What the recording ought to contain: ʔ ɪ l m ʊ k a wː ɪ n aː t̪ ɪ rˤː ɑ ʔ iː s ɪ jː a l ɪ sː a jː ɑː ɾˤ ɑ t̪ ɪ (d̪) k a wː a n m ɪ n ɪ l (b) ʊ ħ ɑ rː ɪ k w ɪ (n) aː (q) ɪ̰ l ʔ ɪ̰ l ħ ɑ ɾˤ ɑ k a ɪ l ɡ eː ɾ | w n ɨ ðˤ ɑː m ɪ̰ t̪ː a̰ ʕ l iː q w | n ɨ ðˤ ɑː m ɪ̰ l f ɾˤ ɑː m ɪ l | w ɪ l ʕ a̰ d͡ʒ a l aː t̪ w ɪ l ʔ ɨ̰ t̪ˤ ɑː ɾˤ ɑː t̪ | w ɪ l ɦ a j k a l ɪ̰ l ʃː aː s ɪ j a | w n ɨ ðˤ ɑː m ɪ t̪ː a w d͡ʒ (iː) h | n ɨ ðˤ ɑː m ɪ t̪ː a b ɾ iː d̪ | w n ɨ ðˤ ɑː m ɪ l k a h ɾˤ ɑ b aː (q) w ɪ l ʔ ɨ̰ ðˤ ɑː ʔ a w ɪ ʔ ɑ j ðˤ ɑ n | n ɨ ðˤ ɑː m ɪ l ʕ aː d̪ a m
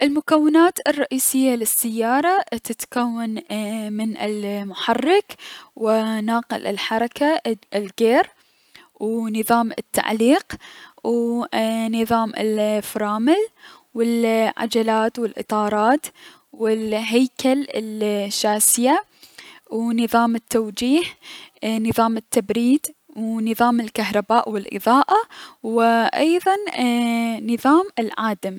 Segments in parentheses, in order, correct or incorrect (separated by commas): incorrect, incorrect, correct, correct, correct, incorrect